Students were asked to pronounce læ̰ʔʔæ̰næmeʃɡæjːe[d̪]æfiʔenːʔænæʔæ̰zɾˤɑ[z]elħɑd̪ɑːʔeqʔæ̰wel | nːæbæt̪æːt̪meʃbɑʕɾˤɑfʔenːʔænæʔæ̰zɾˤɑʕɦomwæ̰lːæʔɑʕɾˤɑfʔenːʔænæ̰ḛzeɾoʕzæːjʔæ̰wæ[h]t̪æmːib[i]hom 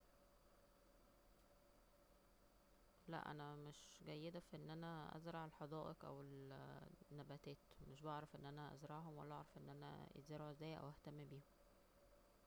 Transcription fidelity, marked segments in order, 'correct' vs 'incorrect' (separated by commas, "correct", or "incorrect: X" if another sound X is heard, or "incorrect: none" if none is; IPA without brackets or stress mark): correct, incorrect: ʕ, correct, incorrect: iː